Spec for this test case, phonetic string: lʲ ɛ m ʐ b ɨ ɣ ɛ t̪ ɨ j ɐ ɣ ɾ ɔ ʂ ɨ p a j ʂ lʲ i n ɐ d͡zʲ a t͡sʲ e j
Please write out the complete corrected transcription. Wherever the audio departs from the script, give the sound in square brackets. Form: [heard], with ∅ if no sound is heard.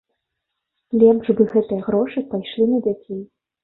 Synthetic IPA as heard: lʲ ɛ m ʐ b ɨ ɣ ɛ t̪ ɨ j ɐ ɣ ɾ ɔ ʂ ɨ p a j ʂ lʲ i n ɐ d͡zʲ a t͡sʲ e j